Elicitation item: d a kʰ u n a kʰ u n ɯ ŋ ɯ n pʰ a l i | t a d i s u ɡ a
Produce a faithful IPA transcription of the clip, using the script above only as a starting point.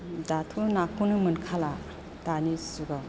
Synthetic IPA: d a tʰ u n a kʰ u n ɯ m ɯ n kʰ a l a | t a n i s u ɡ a